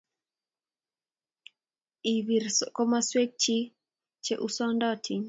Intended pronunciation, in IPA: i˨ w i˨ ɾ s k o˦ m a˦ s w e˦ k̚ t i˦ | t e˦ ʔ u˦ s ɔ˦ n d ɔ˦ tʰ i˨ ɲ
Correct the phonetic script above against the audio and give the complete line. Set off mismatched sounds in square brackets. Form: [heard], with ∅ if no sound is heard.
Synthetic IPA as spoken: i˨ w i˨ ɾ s k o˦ m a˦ s w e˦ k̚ [t͡ʃ] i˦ | [t͡ʃ] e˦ ʔ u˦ s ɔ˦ n d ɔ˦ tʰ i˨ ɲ